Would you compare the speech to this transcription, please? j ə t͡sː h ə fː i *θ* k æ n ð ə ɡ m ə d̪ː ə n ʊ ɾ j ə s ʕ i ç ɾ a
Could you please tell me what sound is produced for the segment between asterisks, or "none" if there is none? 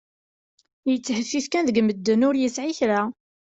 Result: θ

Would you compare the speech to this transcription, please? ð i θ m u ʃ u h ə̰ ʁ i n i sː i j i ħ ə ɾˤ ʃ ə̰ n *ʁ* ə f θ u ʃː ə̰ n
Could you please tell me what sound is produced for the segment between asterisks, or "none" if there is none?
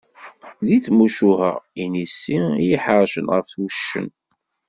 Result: ʁ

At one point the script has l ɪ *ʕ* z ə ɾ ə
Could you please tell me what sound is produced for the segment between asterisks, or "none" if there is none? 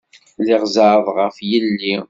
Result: ʁ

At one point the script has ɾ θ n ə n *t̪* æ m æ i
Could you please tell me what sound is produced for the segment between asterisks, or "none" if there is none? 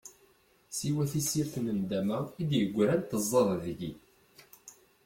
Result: d̪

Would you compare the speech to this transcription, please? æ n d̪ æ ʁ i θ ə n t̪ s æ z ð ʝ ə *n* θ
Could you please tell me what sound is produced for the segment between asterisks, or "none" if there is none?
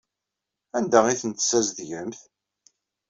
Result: m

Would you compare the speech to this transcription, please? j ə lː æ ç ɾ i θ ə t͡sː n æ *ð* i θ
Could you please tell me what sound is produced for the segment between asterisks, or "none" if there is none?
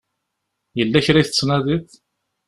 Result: ð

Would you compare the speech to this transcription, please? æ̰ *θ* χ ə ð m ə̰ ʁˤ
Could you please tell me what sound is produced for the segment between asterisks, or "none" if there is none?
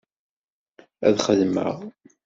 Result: ð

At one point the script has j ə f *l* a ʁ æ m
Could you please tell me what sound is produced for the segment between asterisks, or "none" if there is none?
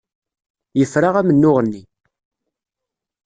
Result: ɾ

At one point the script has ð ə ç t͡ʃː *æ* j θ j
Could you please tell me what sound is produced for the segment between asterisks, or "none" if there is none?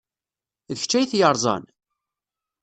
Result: æ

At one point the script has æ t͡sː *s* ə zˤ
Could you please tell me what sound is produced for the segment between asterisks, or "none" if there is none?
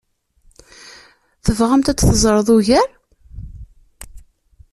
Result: θ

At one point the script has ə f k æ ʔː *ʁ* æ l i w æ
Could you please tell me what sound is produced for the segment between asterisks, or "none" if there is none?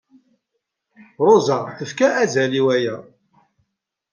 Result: z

